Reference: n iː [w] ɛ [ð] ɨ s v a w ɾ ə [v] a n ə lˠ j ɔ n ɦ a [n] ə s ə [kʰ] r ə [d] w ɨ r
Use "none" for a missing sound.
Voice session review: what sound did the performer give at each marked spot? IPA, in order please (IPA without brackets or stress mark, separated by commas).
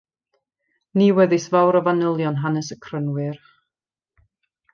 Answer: w, ð, v, n, kʰ, n